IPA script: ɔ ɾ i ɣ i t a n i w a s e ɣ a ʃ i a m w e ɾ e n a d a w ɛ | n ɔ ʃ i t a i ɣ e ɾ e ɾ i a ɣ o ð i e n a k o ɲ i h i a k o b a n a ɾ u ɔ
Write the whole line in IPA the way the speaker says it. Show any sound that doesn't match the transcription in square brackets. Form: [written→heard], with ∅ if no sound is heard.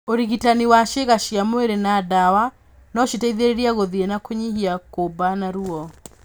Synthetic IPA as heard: [ɔ→o] ɾ i ɣ i t a n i w a [s→ʃ] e ɣ a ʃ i a m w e ɾ e n a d a w [ɛ→a] | n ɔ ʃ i t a i [ɣ→ð] e ɾ e ɾ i a ɣ o ð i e n a k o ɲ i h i a k o b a n a ɾ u ɔ